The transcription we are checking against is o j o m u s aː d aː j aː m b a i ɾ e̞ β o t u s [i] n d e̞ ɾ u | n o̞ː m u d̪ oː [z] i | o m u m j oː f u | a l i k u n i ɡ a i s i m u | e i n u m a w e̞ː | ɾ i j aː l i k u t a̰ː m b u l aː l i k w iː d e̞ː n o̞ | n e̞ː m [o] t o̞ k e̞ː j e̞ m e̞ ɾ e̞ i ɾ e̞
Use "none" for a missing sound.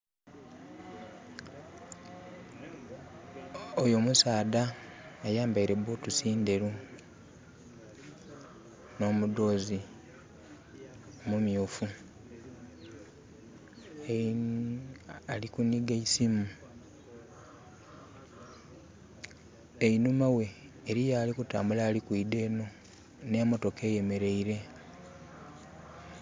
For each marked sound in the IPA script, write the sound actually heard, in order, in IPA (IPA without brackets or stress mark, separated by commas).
iː, z, o